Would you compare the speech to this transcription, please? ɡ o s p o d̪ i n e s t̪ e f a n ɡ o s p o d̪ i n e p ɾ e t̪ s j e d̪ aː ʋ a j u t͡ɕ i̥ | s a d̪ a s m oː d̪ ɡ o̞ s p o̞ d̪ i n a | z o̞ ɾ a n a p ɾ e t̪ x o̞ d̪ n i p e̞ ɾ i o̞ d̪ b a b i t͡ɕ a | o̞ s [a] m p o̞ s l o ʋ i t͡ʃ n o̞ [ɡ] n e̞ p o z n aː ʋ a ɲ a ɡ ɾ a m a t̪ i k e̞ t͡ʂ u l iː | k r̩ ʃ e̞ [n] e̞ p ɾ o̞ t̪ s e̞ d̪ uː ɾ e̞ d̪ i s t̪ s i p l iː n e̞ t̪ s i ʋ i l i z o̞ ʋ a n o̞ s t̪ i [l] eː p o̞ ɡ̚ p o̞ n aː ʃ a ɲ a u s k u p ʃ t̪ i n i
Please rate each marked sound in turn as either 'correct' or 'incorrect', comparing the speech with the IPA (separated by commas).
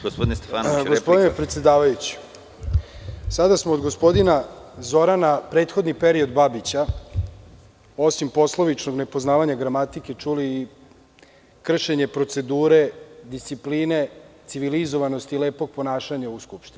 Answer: incorrect, correct, incorrect, correct